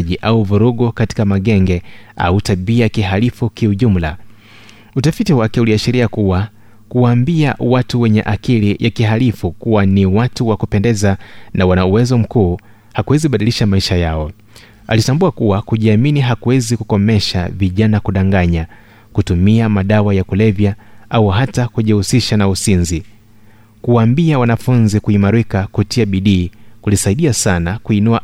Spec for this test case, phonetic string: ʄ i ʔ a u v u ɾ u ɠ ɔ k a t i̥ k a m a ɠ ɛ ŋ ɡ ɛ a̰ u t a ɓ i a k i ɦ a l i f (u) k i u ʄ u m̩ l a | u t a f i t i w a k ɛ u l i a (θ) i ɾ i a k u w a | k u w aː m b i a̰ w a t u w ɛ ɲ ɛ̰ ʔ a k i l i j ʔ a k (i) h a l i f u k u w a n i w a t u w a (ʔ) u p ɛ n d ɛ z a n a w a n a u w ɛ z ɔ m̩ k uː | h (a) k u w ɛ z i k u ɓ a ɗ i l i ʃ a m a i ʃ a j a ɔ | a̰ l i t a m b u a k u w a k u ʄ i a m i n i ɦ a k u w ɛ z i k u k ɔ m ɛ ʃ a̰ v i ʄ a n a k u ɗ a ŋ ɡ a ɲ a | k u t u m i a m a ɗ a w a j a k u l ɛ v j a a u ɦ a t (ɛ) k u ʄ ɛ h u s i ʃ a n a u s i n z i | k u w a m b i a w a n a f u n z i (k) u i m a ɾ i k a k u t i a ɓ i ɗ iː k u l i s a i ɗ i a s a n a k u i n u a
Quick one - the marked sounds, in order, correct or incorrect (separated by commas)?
correct, incorrect, correct, incorrect, correct, incorrect, correct